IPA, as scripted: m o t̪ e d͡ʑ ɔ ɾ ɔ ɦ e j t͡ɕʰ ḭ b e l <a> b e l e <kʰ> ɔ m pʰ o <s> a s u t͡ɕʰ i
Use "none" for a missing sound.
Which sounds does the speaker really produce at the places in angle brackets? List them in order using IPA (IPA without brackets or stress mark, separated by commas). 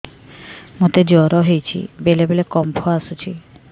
e, k, none